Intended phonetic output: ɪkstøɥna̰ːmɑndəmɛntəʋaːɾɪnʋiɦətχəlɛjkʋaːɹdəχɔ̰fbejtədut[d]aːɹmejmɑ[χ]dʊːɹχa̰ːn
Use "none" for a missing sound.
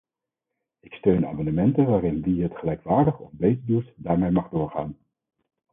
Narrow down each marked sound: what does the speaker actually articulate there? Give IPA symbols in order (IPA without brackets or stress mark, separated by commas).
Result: d, χ